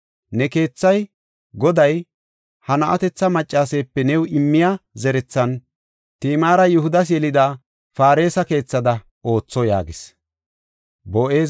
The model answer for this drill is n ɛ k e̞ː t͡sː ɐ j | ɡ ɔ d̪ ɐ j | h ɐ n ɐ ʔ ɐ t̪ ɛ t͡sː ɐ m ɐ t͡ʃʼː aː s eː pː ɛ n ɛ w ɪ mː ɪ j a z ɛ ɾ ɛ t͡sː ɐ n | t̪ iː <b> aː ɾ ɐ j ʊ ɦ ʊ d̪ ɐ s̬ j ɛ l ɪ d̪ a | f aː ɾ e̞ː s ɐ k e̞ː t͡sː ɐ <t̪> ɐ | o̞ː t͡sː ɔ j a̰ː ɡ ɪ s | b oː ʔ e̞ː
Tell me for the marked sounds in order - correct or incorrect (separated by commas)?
incorrect, incorrect